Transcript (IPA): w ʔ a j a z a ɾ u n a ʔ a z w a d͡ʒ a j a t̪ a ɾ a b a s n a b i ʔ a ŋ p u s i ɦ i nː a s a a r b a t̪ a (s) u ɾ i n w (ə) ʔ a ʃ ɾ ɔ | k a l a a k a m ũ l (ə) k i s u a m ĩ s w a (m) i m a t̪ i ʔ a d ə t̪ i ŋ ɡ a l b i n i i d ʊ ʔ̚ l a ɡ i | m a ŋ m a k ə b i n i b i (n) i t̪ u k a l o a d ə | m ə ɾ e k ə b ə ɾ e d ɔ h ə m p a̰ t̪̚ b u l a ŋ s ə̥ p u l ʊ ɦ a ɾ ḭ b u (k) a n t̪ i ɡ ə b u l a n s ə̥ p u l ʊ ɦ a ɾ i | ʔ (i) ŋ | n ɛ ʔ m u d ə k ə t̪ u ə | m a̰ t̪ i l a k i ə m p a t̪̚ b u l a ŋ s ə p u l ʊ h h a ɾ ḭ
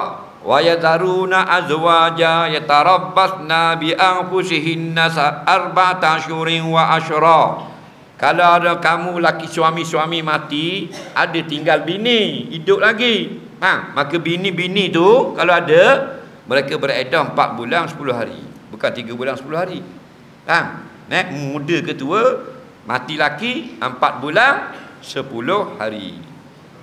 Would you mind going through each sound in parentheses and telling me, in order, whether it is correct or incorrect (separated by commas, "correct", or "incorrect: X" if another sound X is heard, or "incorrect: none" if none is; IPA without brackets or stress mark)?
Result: incorrect: ʃ, incorrect: a, incorrect: a, correct, correct, correct, incorrect: a